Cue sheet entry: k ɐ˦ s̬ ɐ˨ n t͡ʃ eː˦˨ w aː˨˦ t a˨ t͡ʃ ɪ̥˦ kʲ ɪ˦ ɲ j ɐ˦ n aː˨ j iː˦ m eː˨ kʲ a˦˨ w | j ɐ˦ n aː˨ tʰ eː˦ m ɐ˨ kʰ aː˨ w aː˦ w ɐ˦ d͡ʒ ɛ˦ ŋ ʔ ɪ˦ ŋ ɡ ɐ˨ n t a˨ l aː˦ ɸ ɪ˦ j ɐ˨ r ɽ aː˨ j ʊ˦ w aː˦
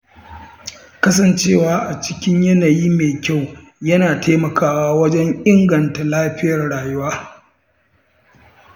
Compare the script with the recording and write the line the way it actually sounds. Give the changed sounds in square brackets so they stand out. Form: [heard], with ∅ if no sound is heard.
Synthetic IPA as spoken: k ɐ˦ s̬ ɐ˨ n t͡ʃ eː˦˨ w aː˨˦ [ʔ] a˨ t͡ʃ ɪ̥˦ kʲ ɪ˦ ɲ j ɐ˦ n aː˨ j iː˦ m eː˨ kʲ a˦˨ w | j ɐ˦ n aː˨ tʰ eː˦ m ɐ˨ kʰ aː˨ w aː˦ w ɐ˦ d͡ʒ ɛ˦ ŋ ʔ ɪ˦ ŋ ɡ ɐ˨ n t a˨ l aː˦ ɸ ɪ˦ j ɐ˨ r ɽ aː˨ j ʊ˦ w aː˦